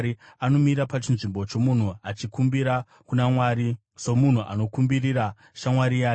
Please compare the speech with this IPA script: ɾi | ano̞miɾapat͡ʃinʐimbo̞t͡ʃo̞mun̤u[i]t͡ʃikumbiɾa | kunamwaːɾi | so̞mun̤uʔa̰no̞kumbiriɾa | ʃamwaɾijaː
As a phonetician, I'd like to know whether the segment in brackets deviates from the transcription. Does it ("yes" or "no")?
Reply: yes